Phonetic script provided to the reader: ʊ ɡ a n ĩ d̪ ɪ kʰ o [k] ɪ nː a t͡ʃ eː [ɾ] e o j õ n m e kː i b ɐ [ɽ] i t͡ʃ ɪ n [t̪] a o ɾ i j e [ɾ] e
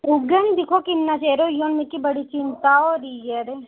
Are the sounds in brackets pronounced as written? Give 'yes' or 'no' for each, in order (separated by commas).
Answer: yes, yes, yes, yes, yes